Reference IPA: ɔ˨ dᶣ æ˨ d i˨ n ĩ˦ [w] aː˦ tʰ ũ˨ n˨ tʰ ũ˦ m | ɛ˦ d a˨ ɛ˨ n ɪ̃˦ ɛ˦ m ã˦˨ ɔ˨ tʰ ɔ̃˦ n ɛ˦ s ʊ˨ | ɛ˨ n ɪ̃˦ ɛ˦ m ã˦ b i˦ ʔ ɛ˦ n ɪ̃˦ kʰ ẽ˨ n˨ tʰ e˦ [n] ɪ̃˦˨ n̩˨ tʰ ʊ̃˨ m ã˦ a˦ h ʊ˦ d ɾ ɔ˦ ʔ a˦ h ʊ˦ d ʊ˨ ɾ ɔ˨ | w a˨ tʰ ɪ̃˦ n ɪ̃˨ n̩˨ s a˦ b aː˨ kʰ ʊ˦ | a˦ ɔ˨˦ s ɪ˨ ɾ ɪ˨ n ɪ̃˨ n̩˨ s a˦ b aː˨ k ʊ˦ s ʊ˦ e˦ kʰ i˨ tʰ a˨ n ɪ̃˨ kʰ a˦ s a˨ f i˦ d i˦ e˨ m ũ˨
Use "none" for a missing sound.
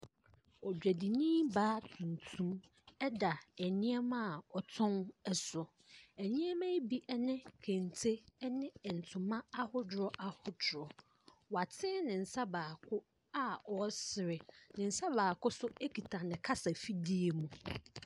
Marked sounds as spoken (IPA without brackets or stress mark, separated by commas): b, n